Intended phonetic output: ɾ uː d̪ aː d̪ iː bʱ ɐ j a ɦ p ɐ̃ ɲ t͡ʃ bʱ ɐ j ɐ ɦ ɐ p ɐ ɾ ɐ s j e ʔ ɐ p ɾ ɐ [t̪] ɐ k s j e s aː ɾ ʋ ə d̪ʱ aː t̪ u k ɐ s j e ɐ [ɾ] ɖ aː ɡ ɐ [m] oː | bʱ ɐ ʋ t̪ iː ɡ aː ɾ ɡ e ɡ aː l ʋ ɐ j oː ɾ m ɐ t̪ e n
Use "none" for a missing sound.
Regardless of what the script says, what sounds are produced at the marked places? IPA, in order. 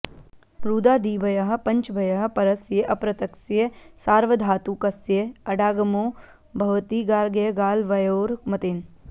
t̪, none, m

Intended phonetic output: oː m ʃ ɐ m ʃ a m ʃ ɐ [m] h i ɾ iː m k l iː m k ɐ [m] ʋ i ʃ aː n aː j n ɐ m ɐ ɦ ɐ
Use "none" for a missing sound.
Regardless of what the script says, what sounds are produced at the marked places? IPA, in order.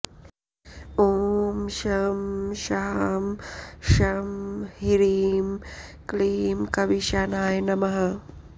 m, none

